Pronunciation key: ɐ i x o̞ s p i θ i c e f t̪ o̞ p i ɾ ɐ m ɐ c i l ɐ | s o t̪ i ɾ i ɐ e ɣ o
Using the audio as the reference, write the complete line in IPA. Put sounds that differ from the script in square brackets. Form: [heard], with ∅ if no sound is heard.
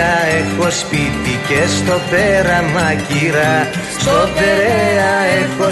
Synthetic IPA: ɐ [e] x o̞ s p i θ i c e [s] t̪ o̞ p [e] ɾ ɐ m ɐ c i [ɾ] ɐ | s o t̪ [e] ɾ [e] ɐ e [x] o